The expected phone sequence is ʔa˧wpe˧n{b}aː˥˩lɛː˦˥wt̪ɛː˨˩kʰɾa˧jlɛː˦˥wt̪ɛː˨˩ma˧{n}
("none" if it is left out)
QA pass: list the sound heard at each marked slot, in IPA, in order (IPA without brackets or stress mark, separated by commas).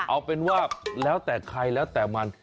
w, n